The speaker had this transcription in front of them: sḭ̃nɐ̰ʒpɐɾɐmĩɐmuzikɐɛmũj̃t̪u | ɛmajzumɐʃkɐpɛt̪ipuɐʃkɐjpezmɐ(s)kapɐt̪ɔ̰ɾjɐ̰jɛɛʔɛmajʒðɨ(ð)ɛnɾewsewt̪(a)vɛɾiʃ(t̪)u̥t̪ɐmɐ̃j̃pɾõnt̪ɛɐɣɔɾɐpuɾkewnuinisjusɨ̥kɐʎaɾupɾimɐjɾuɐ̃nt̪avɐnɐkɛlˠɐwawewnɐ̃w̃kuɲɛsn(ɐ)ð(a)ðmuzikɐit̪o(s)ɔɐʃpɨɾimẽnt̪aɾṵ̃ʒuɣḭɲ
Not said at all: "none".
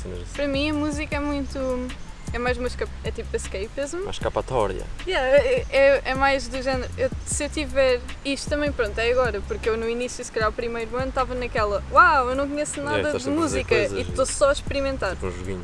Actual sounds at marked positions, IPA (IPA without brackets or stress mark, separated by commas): ʃ, ʒ, i, t̪, a, ɐ, s